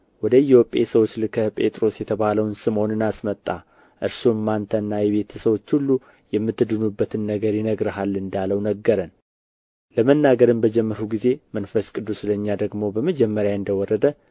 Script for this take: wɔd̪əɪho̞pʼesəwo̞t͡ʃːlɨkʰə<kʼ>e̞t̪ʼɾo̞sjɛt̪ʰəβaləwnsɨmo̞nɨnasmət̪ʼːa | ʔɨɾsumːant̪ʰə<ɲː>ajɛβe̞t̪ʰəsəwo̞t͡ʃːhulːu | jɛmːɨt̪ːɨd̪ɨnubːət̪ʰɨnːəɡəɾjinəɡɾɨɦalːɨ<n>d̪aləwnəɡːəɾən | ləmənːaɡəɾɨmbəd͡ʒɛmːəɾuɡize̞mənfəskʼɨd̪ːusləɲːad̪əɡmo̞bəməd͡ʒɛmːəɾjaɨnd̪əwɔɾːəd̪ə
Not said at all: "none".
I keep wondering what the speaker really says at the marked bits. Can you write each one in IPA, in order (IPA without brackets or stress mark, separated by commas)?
pʼ, nː, n